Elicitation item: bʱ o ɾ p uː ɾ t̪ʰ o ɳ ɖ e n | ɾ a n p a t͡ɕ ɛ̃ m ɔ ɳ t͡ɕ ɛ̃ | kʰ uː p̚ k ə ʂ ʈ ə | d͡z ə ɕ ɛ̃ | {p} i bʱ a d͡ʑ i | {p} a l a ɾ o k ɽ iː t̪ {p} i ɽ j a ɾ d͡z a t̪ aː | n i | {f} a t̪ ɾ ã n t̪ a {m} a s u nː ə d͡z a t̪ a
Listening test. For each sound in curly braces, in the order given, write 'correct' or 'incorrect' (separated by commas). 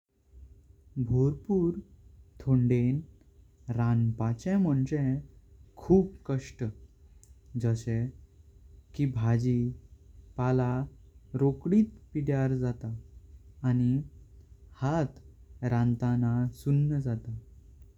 incorrect, correct, correct, incorrect, incorrect